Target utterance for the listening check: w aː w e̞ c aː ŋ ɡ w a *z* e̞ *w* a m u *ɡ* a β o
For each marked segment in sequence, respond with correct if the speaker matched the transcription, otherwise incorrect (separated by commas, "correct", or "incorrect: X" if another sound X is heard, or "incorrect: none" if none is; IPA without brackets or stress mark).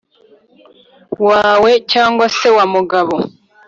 incorrect: s, correct, correct